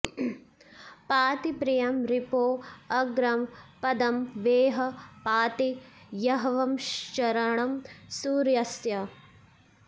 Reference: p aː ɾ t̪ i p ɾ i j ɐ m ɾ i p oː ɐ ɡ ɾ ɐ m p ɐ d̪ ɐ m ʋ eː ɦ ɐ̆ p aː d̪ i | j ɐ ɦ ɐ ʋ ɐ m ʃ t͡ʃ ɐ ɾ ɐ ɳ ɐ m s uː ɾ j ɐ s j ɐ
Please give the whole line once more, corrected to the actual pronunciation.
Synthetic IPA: p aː t̪ i p ɾ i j ɐ m ɾ i p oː ɐ ɡ ɾ ɐ m p ɐ d̪ ɐ m ʋ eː ɦ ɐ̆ p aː t̪ i | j ɐ ɦ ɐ ʋ ɐ m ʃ t͡ʃ ɐ ɾ ɐ ɳ ɐ m s uː ɾ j ɐ s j ɐ

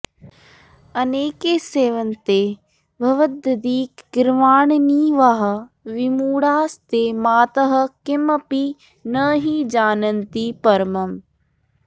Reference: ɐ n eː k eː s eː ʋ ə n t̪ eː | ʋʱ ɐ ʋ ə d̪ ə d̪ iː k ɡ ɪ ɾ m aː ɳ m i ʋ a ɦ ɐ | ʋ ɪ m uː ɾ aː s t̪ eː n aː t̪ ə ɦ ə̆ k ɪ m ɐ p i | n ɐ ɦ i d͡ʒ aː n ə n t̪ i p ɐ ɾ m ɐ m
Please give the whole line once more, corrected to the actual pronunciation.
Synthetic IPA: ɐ n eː k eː s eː ʋ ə n t̪ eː | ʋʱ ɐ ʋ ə d̪ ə d̪ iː k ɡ ɪ ɾ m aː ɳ n i ʋ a ɦ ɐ | ʋ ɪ m uː ɽ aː s t̪ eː m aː t̪ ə ɦ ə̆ k ɪ m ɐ p i | n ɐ ɦ i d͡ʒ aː n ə n t̪ i p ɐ ɾ m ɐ m

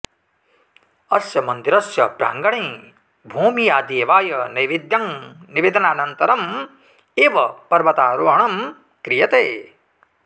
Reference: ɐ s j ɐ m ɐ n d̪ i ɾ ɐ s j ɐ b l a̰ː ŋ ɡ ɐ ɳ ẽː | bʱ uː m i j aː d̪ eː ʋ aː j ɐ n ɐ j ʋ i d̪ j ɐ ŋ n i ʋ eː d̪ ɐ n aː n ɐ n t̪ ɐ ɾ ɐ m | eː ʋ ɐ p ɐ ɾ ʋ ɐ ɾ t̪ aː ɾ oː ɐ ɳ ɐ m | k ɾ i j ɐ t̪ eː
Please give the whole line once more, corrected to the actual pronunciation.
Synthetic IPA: ɐ s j ɐ m ɐ n d̪ i ɾ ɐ s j ɐ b ɾ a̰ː ŋ ɡ ɐ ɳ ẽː | bʱ uː m i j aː d̪ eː ʋ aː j ɐ n ɐ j ʋ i d̪ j ɐ ŋ n i ʋ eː d̪ ɐ n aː n ɐ n t̪ ɐ ɾ ɐ m | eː ʋ ɐ p ɐ ɾ ʋ ɐ t̪ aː ɾ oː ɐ ɳ ɐ m | k ɾ i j ɐ t̪ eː

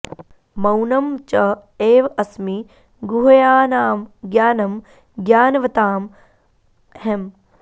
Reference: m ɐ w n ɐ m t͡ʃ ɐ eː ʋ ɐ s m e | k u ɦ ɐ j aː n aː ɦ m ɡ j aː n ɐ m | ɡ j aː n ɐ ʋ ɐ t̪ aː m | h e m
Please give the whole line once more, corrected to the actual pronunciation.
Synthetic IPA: m ɐ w n ɐ m t͡ʃ ɐ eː ʋ ɐ s m i | ɡ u ɦ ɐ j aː n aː m ɡ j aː n ɐ m | ɡ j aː n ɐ ʋ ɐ t̪ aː m | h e m

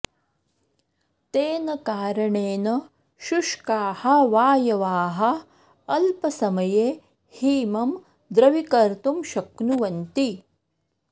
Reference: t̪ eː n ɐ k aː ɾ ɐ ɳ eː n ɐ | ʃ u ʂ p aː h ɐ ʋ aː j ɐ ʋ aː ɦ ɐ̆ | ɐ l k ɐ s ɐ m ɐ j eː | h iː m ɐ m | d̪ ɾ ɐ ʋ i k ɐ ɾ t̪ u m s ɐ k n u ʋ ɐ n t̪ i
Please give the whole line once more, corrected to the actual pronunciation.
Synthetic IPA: t̪ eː n ɐ k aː ɾ ɐ ɳ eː n ɐ | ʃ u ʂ k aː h ɐ ʋ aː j ɐ ʋ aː ɦ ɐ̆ | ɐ l p ɐ s ɐ m ɐ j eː | h iː m ɐ m | d̪ ɾ ɐ ʋ i k ɐ ɾ t̪ u m ʃ ɐ k n u ʋ ɐ n t̪ i

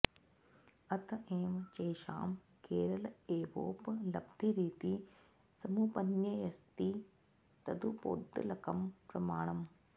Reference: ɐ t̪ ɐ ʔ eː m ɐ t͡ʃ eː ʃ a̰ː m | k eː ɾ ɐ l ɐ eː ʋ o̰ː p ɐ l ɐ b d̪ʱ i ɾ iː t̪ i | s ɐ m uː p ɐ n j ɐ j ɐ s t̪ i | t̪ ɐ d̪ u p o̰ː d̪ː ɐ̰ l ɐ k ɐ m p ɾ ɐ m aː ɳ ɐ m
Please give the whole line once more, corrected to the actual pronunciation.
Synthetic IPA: ɐ t̪ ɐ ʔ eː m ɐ t͡ʃ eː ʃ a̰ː m | k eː ɾ ɐ l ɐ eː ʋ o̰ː p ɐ l ɐ b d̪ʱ i ɾ iː t̪ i | s ɐ m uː p ɐ n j ɐ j ɐ s t̪ i | t̪ ɐ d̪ u p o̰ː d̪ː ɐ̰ l ɐ k ɐ m p ɾ ɐ m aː ɳ ɐ m

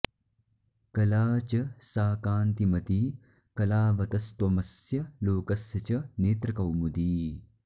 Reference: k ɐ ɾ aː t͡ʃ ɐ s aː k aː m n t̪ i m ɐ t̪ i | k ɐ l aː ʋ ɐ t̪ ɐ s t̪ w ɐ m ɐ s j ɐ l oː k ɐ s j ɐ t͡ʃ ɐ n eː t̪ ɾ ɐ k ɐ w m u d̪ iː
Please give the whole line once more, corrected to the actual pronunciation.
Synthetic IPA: k ɐ l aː t͡ʃ ɐ s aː k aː n t̪ i m ɐ t̪ i | k ɐ l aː ʋ ɐ t̪ ɐ s t̪ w ɐ m ɐ s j ɐ l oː k ɐ s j ɐ t͡ʃ ɐ n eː t̪ ɾ ɐ k ɐ w m u d̪ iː

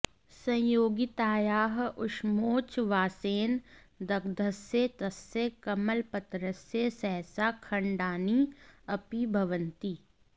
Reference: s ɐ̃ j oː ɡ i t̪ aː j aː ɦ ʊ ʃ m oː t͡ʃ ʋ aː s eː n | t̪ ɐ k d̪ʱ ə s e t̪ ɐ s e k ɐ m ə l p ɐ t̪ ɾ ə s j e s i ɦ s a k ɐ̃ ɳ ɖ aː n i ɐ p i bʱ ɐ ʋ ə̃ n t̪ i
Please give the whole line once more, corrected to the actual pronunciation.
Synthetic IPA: s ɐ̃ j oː ɡ i t̪ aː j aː ɦ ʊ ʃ m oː t͡ʃ ʋ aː s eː n | d̪ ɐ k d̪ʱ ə s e t̪ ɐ s e k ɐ m ə l p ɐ t̪ ɾ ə s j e s ɛ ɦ s a kʰ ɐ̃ ɳ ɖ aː n i ɐ p i bʱ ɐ ʋ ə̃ n t̪ i

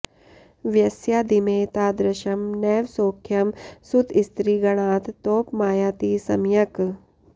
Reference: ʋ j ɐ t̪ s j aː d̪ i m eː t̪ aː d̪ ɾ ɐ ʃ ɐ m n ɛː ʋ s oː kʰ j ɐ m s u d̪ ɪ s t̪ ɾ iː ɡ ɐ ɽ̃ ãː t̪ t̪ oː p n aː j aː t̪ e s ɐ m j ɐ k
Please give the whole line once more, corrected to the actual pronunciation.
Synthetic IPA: ʋ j ɐ s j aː d̪ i m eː t̪ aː d̪ ɾ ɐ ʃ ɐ m n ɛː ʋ s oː kʰ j ɐ m s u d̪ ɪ s t̪ ɾ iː ɡ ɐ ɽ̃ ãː t̪ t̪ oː p m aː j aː t̪ i s ɐ m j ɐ k

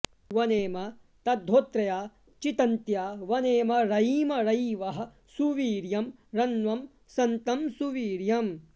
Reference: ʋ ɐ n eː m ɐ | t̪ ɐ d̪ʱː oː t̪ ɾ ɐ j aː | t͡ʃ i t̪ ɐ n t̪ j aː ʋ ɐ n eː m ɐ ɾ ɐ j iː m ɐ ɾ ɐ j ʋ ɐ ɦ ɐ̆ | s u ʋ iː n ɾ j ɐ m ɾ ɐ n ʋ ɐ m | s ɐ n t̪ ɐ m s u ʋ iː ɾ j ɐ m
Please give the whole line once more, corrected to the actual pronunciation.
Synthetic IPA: ʋ ɐ n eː m ɐ | t̪ ɐ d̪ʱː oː t̪ ɾ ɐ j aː | t͡ʃ i t̪ ɐ n t̪ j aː ʋ ɐ n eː m ɐ ɾ ɐ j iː m ɐ ɾ ɐ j ʋ ɐ ɦ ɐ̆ | s u ʋ iː ɾ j ɐ m ɾ ɐ n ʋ ɐ m | s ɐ n t̪ ɐ m s u ʋ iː ɾ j ɐ m

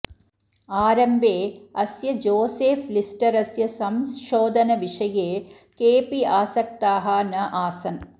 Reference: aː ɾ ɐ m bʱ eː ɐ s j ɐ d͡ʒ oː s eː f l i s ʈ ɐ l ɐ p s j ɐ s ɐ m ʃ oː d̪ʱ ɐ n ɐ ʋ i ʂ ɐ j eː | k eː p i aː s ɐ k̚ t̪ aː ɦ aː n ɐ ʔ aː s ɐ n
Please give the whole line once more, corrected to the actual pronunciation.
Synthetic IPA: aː ɾ ɐ m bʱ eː ɐ s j ɐ d͡ʒ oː s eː f l i s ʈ ɐ ɾ ɐ s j ɐ s ɐ m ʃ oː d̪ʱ ɐ n ɐ ʋ i ʂ ɐ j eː | k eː p i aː s ɐ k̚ t̪ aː ɦ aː n ɐ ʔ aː s ɐ n

